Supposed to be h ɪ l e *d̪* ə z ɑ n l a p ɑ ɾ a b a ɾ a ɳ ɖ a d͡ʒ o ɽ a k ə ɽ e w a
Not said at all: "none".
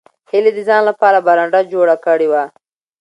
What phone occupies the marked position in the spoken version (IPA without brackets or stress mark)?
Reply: d̪